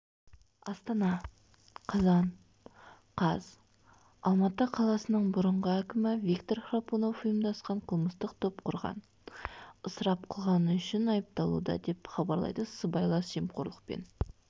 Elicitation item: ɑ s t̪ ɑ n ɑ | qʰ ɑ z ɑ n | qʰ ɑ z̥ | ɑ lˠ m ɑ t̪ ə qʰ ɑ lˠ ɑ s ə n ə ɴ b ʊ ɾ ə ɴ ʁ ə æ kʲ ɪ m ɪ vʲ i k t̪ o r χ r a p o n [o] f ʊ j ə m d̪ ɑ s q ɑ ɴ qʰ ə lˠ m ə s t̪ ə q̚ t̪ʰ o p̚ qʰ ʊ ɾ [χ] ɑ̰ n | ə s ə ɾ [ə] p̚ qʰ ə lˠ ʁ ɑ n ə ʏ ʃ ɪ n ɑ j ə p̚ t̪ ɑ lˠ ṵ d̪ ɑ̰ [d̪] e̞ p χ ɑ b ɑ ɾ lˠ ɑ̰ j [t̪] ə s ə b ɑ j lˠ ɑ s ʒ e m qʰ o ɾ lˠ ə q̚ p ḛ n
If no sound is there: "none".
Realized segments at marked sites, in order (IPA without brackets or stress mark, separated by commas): o, ʁ, ɑ, d̪, d̪